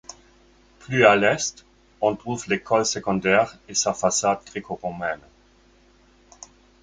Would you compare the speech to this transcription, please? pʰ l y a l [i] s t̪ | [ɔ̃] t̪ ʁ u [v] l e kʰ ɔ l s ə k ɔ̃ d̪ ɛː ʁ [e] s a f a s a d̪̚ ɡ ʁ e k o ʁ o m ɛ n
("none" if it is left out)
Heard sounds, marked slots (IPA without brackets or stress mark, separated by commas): ɛ, ɔ̃, v, e